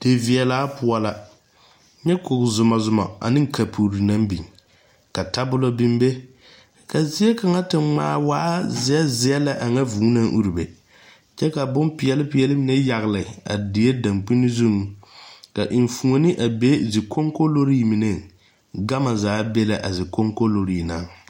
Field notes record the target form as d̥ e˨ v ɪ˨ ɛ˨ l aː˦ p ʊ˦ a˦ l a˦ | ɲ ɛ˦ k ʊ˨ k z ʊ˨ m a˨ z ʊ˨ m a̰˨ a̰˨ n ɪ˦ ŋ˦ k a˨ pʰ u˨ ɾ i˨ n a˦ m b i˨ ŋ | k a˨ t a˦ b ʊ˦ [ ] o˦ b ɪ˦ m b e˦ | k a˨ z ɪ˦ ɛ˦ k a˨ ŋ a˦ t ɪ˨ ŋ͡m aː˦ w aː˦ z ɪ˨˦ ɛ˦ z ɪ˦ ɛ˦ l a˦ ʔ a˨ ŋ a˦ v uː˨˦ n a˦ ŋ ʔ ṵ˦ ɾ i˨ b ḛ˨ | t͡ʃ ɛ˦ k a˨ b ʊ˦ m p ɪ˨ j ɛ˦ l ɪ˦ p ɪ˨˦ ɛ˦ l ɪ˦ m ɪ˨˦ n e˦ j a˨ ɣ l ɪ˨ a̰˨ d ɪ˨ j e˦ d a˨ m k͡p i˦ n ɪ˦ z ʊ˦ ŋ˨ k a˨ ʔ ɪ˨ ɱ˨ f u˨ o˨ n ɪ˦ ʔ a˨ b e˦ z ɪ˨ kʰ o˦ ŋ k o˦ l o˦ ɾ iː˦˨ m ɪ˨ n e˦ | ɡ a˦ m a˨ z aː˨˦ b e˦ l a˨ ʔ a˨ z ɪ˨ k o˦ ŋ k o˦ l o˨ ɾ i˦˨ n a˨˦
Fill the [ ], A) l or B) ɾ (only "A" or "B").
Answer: A